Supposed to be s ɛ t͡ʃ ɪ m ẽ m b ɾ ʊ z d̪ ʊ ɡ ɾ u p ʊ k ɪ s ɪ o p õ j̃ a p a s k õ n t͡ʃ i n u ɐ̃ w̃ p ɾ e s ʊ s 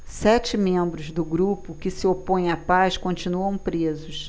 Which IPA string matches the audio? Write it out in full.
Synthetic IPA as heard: s ɛ t͡ʃ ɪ m ẽ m b ɾ ʊ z d̪ ʊ ɡ ɾ u p ʊ k ɪ s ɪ o p õ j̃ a p a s k õ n t͡ʃ i n u ɐ̃ w̃ p ɾ e z ʊ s

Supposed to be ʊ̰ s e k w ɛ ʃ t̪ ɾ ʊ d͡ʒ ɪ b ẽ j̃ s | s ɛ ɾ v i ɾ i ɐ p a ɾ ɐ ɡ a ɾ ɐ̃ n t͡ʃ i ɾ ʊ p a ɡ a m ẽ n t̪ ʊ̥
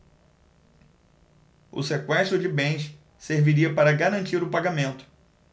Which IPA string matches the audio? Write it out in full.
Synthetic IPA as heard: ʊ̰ s e k w ɛ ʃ t̪ ɾ ʊ d͡ʒ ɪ b ẽ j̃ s | s e ɾ v i ɾ i ɐ p a ɾ ɐ ɡ a ɾ ɐ̃ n t͡ʃ i ɾ ʊ p a ɡ a m ẽ n t̪ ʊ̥

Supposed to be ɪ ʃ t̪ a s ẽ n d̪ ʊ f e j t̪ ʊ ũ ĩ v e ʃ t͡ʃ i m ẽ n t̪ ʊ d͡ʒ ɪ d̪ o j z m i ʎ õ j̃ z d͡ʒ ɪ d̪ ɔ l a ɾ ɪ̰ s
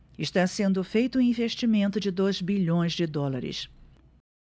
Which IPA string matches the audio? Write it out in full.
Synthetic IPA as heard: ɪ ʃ t̪ a s ẽ n d̪ ʊ f e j t̪ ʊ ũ ĩ v e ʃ t͡ʃ i m ẽ n t̪ ʊ d͡ʒ ɪ d̪ o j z b i ʎ õ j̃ z d͡ʒ ɪ d̪ ɔ l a ɾ ɪ̰ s

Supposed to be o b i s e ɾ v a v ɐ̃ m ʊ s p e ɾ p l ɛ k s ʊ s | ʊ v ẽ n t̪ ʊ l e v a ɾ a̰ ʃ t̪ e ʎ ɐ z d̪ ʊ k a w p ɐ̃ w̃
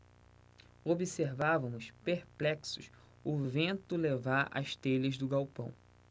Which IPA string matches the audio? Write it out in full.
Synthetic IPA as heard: o b i s e ɾ v a v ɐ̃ m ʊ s p e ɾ p l ɛ k s ʊ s | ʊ v ẽ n t̪ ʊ l e v a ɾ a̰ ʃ t̪ e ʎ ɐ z d̪ ʊ ɡ a w p ɐ̃ w̃

